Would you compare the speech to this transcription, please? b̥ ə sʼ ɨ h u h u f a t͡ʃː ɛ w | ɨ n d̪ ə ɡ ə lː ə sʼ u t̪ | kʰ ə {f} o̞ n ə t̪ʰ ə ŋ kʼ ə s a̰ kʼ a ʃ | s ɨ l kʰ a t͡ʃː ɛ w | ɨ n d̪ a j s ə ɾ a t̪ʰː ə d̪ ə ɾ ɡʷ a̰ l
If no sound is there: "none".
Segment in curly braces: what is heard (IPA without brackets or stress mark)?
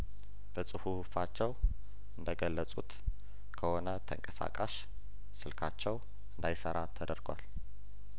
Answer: h